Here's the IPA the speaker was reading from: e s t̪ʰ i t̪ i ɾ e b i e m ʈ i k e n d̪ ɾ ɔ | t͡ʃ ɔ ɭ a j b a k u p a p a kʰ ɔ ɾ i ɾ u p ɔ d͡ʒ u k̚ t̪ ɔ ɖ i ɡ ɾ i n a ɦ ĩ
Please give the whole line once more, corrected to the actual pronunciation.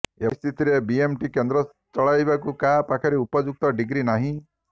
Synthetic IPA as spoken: e s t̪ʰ i t̪ i ɾ e b i e m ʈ i k e n d̪ ɾ ɔ | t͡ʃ ɔ ɭ a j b a k u k a p a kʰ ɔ ɾ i u p ɔ d͡ʒ u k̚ t̪ ɔ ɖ i ɡ ɾ i n a ɦ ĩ